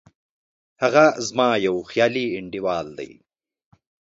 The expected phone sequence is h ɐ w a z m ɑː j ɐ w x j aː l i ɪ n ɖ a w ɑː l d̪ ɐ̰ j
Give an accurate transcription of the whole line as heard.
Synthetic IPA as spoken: h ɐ ɣ a z m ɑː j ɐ w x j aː l i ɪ ɳ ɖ i w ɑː l d̪ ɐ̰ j